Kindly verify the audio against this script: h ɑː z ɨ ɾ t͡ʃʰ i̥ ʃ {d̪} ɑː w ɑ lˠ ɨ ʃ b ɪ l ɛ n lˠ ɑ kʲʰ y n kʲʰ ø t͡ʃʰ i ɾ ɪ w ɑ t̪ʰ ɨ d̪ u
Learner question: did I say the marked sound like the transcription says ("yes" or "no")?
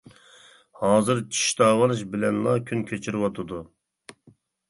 no